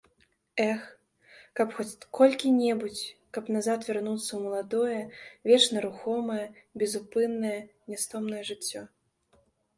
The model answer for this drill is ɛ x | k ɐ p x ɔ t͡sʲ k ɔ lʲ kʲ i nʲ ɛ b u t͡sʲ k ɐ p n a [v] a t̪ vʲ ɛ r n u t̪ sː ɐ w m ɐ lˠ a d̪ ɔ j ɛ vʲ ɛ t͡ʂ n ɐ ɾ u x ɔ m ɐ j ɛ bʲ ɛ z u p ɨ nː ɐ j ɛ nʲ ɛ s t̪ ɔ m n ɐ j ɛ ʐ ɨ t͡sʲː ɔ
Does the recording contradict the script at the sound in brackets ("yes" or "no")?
yes